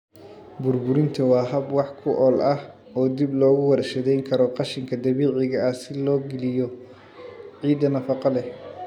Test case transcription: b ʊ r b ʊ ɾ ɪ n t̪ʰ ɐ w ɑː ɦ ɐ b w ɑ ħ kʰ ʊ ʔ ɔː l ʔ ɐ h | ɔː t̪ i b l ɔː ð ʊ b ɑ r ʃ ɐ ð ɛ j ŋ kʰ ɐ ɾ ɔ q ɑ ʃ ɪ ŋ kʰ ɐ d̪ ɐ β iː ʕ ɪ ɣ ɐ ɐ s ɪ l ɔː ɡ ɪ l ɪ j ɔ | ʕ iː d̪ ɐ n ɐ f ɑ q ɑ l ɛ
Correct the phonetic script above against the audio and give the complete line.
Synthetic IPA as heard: b ʊ r b ʊ ɾ ɪ n t̪ʰ ɐ w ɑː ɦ ɐ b w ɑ ħ kʰ ʊ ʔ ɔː l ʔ ɐ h | ɔː d̪ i b l ɔː ɣ ʊ w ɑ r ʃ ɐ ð ɛ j ŋ kʰ ɐ ɾ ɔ q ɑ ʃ ɪ ŋ kʰ ɐ d̪ ɐ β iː ʕ ɪ ɣ ɐ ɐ s ɪ l ɔː ɡ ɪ l ɪ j ɔ | ʕ iː d̪ ɐ n ɐ f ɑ q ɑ l ɛ